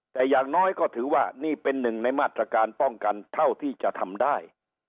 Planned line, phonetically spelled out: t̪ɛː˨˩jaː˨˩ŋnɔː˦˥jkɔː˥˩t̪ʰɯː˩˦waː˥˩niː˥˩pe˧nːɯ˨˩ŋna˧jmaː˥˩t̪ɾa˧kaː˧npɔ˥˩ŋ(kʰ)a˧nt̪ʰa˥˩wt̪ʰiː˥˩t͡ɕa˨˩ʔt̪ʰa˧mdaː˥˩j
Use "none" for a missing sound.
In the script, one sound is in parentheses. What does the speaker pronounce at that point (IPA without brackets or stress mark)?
k